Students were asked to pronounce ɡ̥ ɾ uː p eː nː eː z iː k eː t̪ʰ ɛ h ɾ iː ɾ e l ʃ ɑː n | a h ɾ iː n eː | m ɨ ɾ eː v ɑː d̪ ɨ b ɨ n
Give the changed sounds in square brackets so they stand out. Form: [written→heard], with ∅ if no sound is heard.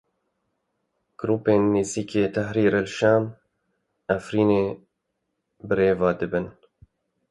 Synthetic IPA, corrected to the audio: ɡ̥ ɾ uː p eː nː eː z iː k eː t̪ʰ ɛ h ɾ iː ɾ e l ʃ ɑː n | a [h→f] ɾ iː n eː | [m→b] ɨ ɾ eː v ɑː d̪ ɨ b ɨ n

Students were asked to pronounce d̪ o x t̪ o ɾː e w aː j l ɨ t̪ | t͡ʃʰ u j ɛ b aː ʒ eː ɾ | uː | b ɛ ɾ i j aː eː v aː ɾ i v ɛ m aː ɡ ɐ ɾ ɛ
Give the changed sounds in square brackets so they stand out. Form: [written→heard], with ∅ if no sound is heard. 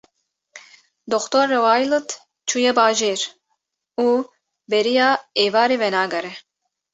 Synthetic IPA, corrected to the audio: d̪ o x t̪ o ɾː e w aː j l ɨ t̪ | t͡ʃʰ u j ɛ b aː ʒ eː ɾ | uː | b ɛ ɾ i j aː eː v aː ɾ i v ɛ [m→n] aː ɡ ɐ ɾ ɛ

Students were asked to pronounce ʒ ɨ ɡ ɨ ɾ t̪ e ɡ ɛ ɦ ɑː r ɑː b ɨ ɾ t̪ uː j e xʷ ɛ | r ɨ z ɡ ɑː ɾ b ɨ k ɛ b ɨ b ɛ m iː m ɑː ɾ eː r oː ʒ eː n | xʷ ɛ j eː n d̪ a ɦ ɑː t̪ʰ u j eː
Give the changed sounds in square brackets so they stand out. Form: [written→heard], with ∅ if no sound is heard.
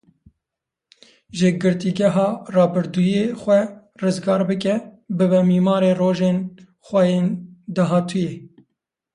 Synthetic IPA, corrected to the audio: ʒ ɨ ɡ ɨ ɾ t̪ [e→i] ɡ ɛ ɦ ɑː r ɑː b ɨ ɾ [t̪→d̪] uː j e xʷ ɛ | r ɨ z ɡ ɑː ɾ b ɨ k ɛ b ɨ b ɛ m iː m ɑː ɾ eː r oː ʒ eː n | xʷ ɛ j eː n d̪ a ɦ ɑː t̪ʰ u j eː

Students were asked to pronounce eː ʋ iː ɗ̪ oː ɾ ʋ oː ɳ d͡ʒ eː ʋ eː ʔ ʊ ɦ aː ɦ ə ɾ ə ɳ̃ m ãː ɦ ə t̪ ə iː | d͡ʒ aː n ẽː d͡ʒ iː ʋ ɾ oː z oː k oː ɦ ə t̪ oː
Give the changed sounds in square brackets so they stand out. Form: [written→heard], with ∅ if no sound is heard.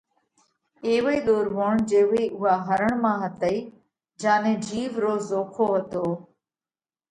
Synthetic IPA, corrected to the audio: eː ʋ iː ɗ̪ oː ɾ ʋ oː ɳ d͡ʒ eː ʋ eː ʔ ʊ ɦ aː ɦ ə ɾ ə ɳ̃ m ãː ɦ ə t̪ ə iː | d͡ʒ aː n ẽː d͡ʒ iː ʋ ɾ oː z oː [k→kʰ] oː ɦ ə t̪ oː

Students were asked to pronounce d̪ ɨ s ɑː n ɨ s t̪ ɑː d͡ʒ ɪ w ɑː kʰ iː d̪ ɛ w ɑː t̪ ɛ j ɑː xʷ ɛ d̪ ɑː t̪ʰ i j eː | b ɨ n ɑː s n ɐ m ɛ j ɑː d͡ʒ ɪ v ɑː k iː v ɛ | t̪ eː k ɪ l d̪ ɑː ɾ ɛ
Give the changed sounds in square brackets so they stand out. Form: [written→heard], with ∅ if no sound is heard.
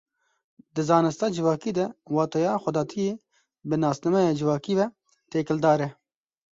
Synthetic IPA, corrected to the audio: d̪ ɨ [s→z] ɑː n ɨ s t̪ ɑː d͡ʒ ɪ [w→v] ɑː [kʰ→k] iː d̪ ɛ w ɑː t̪ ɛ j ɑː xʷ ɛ d̪ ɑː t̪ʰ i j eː | b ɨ n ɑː s n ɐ m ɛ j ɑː d͡ʒ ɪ v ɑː k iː v ɛ | t̪ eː k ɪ l d̪ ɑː ɾ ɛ

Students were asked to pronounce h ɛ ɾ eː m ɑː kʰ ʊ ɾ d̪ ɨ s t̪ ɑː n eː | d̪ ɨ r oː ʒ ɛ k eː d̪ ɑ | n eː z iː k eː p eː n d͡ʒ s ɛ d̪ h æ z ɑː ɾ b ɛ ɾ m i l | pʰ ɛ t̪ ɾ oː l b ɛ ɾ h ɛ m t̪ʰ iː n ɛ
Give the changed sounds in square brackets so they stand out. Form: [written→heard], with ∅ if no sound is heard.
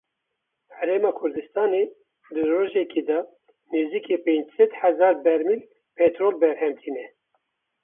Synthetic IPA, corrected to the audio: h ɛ ɾ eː m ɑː kʰ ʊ ɾ d̪ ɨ s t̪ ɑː n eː | d̪ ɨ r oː ʒ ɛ k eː d̪ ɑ | n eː z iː k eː p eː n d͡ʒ s ɛ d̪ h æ z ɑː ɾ b ɛ ɾ m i l | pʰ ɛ t̪ ɾ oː l b ɛ ɾ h ɛ m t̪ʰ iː n ɛ

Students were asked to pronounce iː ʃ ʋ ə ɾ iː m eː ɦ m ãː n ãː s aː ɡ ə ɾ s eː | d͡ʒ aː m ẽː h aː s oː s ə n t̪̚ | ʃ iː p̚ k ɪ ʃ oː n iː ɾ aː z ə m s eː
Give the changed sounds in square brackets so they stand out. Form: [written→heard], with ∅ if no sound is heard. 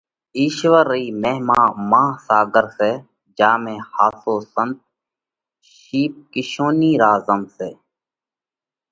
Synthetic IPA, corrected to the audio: iː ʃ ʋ ə ɾ iː m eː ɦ m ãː [n→m] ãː s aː ɡ ə ɾ s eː | d͡ʒ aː m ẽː h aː s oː s ə n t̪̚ | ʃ iː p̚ k ɪ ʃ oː n iː ɾ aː z ə m s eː

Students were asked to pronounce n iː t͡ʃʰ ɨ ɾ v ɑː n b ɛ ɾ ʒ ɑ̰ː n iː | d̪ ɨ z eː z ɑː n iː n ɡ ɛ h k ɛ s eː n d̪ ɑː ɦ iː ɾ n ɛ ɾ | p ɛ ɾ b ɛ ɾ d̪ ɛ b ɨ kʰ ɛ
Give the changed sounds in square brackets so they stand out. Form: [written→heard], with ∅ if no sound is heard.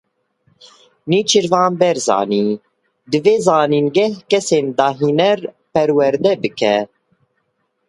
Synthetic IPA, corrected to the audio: n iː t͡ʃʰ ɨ ɾ v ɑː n b ɛ ɾ [ʒ→z] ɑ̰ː n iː | d̪ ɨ [z→v] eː z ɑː n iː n ɡ ɛ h k ɛ s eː n d̪ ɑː ɦ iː [ɾ→∅] n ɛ ɾ | p ɛ ɾ [b→w] ɛ ɾ d̪ ɛ b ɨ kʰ ɛ

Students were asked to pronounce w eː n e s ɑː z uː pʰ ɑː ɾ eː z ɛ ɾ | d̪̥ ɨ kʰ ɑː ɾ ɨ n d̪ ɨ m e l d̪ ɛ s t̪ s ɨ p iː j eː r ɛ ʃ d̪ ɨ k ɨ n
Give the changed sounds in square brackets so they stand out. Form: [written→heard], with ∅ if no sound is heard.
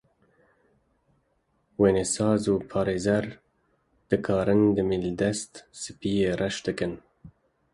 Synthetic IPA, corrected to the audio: w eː n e s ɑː z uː pʰ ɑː ɾ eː z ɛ ɾ | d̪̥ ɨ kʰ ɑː ɾ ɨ n d̪ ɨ m [e→i] l d̪ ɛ s t̪ s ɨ p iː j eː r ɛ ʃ d̪ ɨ k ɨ n

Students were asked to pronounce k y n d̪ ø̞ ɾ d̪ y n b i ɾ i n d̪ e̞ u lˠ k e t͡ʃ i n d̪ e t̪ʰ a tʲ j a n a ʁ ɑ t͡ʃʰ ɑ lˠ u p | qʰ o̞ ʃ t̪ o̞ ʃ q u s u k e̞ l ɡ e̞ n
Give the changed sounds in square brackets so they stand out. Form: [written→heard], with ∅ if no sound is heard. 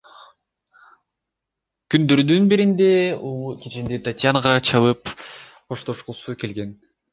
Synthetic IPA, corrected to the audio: k y n d̪ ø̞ ɾ d̪ y n b i ɾ i n d̪ e̞ u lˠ k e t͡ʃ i n d̪ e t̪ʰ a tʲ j a n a ʁ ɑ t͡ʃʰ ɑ lˠ [u→ɯ] p | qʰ o̞ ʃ t̪ o̞ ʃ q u s u k e̞ l ɡ e̞ n

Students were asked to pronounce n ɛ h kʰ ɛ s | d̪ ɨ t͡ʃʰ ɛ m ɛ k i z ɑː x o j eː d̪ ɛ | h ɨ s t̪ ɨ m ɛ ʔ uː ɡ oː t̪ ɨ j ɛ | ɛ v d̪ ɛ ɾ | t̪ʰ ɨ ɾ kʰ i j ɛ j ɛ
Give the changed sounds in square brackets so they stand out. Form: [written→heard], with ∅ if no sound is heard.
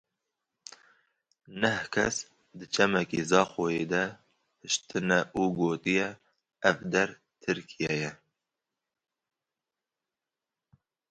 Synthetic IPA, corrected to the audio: n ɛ h kʰ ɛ s | d̪ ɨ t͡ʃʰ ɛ m ɛ k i z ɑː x o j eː d̪ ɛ | h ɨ [s→ʃ] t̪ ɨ [m→n] ɛ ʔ uː ɡ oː t̪ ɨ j ɛ | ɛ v d̪ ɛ ɾ | t̪ʰ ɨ ɾ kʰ i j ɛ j ɛ

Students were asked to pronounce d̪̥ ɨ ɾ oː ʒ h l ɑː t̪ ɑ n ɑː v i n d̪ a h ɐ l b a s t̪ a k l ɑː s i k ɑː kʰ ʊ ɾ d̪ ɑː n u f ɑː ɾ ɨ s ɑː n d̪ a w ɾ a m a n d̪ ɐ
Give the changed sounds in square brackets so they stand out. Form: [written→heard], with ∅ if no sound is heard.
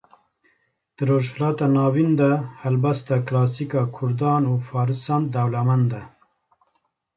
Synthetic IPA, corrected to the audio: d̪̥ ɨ ɾ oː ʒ h l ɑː t̪ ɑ n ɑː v i n d̪ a h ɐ l b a s t̪ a k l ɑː s i k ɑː kʰ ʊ ɾ d̪ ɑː n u f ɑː ɾ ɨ s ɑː n d̪ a w [ɾ→l] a m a n d̪ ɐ

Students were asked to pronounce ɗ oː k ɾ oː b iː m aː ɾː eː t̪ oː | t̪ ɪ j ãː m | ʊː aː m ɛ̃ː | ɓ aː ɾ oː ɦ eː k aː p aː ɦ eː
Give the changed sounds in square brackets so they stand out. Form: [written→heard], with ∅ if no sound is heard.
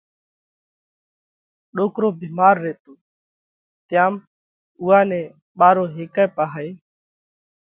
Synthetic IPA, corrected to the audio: ɗ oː k ɾ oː b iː m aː ɾː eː t̪ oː | t̪ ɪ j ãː m | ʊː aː [m→n] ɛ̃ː | ɓ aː ɾ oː ɦ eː k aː p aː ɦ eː

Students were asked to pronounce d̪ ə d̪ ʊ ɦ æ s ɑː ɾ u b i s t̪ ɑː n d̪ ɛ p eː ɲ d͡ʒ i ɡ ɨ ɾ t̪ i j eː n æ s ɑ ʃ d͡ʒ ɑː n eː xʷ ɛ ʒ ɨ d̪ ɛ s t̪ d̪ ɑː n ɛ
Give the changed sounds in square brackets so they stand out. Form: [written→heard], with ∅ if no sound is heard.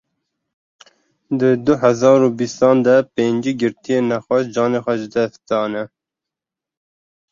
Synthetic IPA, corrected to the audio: d̪ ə d̪ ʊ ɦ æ [s→z] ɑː ɾ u b i s t̪ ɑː n d̪ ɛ p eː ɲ d͡ʒ i ɡ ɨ ɾ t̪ i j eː n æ [s→x] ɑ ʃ d͡ʒ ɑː n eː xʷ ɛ ʒ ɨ d̪ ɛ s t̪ d̪ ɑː n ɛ

